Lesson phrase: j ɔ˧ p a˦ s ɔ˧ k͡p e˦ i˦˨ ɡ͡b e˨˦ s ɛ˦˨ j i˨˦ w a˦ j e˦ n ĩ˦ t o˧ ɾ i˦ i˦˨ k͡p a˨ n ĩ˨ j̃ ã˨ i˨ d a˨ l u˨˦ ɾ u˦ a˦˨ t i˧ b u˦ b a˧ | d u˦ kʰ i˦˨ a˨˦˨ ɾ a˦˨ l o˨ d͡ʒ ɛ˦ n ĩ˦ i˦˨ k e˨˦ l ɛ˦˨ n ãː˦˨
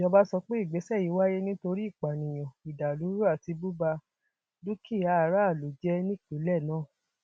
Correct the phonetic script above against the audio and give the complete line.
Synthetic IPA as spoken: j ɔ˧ b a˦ s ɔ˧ k͡p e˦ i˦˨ ɡ͡b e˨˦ s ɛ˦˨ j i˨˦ w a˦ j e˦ n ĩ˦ t o˧ ɾ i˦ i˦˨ k͡p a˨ n ĩ˨ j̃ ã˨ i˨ d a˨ l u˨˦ ɾ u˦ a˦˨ t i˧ b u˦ b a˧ | d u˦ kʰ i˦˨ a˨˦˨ ɾ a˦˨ l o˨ d͡ʒ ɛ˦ n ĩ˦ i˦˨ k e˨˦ l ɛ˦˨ n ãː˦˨

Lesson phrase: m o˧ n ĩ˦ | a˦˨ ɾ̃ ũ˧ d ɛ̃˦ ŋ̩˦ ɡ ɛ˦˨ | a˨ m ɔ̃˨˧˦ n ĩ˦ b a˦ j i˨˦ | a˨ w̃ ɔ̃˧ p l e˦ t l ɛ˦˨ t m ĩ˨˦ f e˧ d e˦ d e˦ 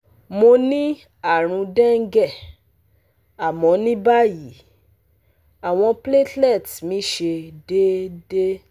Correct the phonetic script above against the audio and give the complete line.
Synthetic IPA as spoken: m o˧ n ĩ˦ | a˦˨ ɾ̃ ũ˧ d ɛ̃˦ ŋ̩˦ ɡ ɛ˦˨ | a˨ m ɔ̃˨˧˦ n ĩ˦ b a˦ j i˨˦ | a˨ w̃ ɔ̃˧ p l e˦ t l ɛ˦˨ t m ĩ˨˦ ʃ e˧ d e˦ d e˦

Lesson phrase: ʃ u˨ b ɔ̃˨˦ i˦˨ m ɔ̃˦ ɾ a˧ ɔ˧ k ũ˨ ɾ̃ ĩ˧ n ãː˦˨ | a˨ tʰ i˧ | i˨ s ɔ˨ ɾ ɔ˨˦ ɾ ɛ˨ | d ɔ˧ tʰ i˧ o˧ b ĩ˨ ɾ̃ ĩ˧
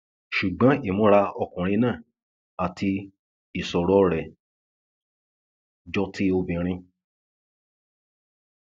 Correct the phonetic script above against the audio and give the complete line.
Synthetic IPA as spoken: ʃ u˨ ɡ͡b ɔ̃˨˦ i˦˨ m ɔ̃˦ ɾ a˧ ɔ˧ k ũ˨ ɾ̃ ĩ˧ n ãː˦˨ | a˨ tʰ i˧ | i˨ s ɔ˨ ɾ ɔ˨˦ ɾ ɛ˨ | d͡ʒ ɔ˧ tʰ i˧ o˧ b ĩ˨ ɾ̃ ĩ˧

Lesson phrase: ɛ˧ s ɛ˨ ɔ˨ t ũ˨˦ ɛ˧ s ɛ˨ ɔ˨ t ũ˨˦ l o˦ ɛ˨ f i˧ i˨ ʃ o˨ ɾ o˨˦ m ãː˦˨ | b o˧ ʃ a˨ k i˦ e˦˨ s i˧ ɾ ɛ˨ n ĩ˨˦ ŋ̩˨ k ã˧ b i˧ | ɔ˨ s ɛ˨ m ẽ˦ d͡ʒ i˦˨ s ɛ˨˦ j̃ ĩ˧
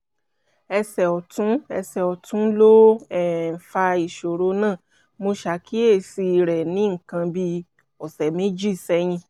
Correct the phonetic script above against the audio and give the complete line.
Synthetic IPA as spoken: ɛ˧ s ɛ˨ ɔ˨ t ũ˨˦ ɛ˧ s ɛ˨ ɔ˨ t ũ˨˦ l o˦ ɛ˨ f a˧ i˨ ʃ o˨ ɾ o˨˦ n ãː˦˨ | m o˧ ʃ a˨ k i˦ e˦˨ s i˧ ɾ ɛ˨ n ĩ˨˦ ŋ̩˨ k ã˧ b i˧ | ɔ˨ s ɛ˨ m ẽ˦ d͡ʒ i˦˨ s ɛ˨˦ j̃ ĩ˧

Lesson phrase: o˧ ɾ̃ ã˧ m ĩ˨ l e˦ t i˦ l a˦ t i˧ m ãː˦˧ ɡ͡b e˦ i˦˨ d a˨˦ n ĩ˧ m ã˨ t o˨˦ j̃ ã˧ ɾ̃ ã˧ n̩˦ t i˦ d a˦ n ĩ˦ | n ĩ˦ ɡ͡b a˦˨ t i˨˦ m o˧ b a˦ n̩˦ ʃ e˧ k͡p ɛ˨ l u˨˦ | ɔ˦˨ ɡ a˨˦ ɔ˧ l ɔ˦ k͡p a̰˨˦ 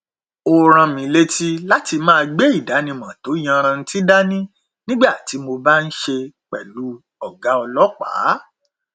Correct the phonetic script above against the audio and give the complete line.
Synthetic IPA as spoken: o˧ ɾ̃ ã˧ m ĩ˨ l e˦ t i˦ l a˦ t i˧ m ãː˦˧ ɡ͡b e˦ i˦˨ d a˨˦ n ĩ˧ m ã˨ t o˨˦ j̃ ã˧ ɾ̃ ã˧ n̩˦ t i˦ d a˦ n ĩ˦ | n ĩ˦ ɡ͡b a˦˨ t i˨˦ m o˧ b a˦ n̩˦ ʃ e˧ k͡p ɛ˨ l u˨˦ | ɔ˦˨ ɡ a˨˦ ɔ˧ l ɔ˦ k͡p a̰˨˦

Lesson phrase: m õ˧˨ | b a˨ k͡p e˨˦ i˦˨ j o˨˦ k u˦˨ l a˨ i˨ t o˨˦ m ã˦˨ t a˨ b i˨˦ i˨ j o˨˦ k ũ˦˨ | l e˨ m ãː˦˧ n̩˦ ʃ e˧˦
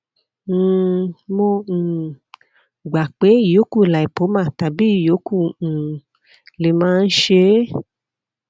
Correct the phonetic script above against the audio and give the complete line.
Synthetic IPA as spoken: m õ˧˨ | ɡ͡b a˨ k͡p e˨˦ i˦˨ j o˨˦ k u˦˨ l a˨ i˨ p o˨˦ m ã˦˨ t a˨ b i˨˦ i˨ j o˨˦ k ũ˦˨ | l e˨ m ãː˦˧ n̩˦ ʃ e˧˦

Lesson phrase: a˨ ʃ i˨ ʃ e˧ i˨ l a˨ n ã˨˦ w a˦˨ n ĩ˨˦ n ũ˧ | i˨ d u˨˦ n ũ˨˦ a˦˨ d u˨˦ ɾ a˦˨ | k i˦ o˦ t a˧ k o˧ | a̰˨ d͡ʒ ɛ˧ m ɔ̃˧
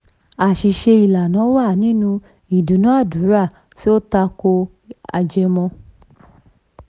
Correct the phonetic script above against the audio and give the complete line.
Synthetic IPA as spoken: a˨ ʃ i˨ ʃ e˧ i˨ l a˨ n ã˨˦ w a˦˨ n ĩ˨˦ n ũ˧ | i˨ d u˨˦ n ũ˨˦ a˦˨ d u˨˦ ɾ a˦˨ | t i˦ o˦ t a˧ k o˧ | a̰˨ d͡ʒ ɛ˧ m ɔ̃˧

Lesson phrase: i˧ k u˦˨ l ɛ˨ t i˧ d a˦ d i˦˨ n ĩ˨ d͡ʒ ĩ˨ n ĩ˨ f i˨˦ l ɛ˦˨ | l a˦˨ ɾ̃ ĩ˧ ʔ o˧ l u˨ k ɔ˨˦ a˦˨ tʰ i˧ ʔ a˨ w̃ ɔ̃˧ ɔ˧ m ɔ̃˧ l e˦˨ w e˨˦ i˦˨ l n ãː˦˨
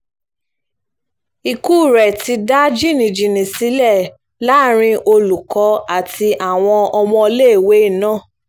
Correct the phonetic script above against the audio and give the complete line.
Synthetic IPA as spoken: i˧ k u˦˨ ɾ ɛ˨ t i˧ d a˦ d͡ʒ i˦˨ n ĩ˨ d͡ʒ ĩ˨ n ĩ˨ s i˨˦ l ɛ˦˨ | l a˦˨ ɾ̃ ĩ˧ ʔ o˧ l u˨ k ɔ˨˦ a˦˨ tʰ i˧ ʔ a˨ w̃ ɔ̃˧ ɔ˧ m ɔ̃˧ l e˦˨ w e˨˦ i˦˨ n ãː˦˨

